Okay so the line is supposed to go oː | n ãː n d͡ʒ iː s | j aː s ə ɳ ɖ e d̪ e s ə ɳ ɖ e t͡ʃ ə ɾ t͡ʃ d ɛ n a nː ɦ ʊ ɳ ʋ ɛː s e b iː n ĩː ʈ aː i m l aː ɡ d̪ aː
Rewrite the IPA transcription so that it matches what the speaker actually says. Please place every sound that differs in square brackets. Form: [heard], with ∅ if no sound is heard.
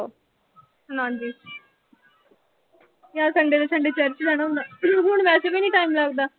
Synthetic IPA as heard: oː | n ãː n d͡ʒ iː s | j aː s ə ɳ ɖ e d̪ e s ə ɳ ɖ e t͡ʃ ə ɾ t͡ʃ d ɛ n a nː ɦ ʊ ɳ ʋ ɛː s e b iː n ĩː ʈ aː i m l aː ɡ d̪ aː